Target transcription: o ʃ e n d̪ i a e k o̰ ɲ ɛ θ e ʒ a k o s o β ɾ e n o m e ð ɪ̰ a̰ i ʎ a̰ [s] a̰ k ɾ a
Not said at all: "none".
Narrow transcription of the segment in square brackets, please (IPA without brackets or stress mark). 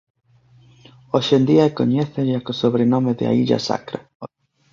s